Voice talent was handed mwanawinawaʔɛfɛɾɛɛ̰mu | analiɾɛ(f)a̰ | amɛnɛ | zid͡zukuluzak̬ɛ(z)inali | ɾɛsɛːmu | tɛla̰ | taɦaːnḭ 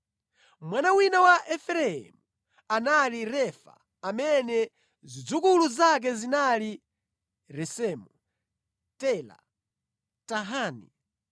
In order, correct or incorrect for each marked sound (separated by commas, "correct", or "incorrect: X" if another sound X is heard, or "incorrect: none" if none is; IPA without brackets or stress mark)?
correct, correct